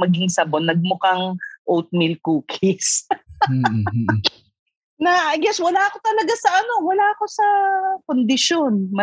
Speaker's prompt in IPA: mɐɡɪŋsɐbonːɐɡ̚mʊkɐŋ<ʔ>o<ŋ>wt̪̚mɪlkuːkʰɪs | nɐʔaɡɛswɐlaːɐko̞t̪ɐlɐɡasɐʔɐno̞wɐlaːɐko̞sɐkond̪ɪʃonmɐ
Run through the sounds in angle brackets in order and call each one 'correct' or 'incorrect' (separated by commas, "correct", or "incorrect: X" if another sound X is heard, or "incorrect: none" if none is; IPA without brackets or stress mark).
correct, incorrect: none